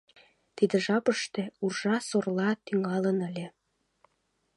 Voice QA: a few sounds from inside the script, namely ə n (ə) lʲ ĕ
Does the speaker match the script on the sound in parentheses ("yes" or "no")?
yes